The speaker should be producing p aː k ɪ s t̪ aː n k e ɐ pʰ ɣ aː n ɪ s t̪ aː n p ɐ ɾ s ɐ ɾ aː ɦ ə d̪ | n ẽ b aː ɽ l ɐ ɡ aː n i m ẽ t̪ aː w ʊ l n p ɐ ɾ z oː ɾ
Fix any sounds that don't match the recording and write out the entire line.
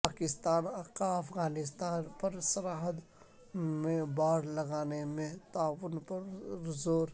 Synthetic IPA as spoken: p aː k ɪ s t̪ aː n k a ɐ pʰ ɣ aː n ɪ s t̪ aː n p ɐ ɾ s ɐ ɾ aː ɦ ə d̪ | m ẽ b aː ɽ l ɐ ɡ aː n e m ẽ t̪ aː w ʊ n p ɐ ɾ z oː ɾ